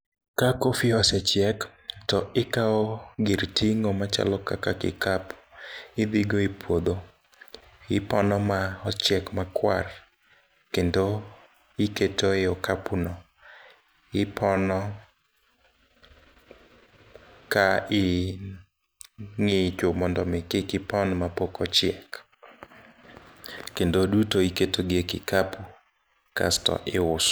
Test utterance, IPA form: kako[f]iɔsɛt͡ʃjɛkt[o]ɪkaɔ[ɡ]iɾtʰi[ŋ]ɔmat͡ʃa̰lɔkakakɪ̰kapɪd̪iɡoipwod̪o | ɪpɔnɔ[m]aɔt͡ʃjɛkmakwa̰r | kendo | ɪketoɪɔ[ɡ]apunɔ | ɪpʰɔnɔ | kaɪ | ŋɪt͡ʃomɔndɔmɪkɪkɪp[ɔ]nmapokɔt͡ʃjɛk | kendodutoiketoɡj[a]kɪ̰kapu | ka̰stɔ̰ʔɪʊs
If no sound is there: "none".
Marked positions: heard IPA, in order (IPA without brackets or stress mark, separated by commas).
f, ɔ, ɡ, ŋ, m, k, ɔ, e